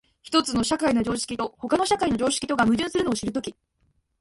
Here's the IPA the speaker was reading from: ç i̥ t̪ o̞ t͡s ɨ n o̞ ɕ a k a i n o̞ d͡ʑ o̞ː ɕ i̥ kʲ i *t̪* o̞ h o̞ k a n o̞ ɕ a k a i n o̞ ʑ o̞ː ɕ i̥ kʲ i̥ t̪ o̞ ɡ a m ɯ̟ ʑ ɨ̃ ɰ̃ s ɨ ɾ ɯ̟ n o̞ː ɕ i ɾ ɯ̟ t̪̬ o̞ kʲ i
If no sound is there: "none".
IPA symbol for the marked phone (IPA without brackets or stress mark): t̪